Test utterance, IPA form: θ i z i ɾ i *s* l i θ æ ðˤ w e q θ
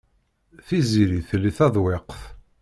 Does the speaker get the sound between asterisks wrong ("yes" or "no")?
yes